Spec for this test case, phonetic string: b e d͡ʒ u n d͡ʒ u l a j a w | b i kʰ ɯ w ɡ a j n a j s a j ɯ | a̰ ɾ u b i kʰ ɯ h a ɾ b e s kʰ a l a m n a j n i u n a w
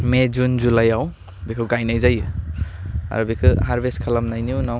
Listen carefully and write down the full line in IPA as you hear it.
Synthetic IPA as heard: m e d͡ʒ u n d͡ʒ u l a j a w | b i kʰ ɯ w ɡ a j n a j z a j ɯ | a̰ ɾ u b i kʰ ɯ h a ɾ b e s kʰ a l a m n a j n i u n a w

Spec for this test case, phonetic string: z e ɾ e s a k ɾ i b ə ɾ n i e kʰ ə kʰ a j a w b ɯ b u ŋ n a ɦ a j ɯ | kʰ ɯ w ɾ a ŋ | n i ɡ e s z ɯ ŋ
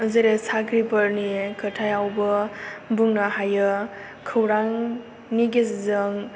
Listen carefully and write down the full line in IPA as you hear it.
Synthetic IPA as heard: z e ɾ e s a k ɾ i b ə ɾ n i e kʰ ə tʰ a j a w b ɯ b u ŋ n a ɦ a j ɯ | kʰ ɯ w ɾ a ŋ | n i ɡ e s z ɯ ŋ

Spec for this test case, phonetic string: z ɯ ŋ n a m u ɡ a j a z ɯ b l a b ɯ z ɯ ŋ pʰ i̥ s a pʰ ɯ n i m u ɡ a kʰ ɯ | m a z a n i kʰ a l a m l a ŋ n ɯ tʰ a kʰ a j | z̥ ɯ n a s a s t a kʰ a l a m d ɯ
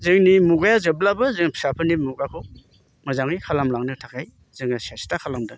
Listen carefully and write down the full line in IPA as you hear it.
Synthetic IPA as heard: z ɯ ŋ n i m u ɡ a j a z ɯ b l a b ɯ z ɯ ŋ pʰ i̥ s a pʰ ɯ n i m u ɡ a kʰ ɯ | m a z a ŋ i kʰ a l a m l a ŋ n ɯ tʰ a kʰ a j | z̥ ɯ ŋ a s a s t a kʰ a l a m d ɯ

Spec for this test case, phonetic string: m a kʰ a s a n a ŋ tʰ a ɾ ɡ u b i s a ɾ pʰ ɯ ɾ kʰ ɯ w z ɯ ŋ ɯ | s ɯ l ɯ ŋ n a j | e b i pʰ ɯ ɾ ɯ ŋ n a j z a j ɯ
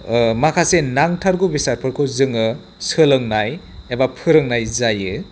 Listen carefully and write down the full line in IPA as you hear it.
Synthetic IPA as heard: m a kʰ a s e n a ŋ tʰ a ɾ ɡ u b i s a ɾ pʰ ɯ ɾ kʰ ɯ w z ɯ ŋ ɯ | s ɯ l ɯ ŋ n a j | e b a pʰ ɯ ɾ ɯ ŋ n a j z a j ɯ

